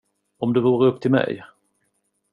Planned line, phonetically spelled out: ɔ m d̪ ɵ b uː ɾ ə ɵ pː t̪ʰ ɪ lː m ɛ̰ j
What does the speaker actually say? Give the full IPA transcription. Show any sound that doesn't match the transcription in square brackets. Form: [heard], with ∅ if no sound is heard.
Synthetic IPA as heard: ɔ m d̪ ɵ [v] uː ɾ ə ɵ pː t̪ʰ ɪ [l] m ɛ̰ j

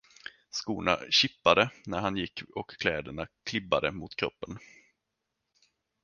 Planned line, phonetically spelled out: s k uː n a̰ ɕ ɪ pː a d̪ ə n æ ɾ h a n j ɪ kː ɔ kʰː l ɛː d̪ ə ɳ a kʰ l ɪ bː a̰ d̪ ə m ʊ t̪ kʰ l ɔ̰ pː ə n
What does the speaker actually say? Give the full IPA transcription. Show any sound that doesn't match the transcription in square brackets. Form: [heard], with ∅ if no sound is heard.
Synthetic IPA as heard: s k uː n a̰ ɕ ɪ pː a d̪ ə n æ ɾ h a n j ɪ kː ɔ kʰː l ɛː d̪ ə ɳ a kʰ l ɪ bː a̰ d̪ ə m ʊ t̪ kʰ [ɾ] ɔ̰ pː ə n

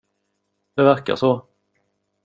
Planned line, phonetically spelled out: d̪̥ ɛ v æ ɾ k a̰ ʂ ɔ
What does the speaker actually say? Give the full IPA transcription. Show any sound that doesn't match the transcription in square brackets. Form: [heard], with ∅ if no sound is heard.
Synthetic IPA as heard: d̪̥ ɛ v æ ɾ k a̰ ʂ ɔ

